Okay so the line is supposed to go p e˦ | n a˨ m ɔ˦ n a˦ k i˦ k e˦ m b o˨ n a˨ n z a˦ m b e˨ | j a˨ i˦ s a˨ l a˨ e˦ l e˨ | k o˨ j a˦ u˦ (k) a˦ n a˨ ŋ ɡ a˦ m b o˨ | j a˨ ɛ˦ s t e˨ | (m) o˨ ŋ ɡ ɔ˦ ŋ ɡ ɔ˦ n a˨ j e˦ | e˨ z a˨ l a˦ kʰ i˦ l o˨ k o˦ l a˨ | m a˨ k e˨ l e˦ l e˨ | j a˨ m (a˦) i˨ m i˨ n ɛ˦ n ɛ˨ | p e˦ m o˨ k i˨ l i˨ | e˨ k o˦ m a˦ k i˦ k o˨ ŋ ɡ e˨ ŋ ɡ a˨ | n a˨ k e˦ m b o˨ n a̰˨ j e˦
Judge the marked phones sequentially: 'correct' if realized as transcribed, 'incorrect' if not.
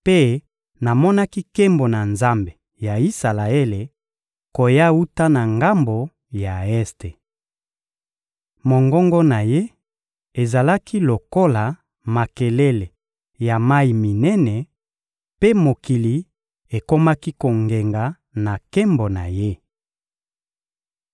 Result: incorrect: t, correct, correct

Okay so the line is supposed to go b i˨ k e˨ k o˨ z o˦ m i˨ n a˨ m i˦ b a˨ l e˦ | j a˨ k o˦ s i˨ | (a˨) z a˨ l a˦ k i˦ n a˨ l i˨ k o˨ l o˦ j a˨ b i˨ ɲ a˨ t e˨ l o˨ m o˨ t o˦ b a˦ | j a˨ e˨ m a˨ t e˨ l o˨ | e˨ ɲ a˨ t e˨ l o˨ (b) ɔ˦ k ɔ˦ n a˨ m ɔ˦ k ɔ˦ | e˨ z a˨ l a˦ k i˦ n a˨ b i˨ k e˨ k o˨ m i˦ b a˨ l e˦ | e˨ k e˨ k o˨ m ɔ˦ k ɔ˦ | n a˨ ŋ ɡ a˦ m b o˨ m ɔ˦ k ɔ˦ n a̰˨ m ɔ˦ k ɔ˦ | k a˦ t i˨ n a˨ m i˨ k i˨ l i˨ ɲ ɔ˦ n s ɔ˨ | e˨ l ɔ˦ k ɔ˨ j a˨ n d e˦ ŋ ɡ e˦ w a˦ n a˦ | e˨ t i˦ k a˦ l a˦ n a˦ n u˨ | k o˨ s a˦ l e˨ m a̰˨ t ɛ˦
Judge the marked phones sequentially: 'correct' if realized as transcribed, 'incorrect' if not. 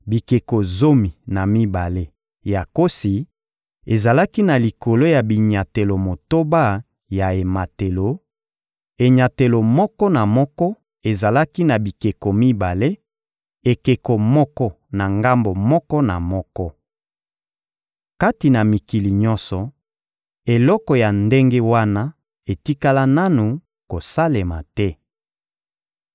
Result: incorrect: e˨, incorrect: m

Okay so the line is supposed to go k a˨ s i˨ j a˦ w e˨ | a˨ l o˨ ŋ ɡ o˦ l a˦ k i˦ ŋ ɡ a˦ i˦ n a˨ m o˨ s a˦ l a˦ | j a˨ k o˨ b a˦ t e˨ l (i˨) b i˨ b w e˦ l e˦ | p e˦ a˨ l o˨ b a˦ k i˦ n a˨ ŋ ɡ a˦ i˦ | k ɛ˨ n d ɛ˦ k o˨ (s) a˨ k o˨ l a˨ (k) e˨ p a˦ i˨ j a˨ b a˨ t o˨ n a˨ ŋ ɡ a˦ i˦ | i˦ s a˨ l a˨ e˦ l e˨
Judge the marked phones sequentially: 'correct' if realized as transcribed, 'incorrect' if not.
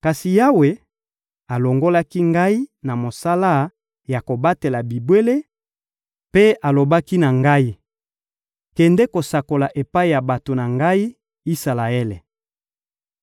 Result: incorrect: a˨, correct, incorrect: ʔ

